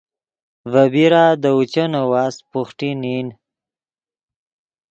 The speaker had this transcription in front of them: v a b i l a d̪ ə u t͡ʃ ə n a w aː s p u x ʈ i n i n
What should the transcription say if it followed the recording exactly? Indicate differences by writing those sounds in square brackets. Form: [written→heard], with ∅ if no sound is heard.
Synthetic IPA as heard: v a b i [l→ɾ] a d̪ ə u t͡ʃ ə n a w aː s p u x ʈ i n i n